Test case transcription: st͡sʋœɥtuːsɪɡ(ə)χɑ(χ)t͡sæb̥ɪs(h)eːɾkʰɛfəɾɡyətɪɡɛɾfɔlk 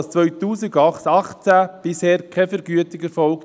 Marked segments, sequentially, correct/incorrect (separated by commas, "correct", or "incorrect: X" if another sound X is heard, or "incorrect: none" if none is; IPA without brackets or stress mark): incorrect: ɑ, correct, correct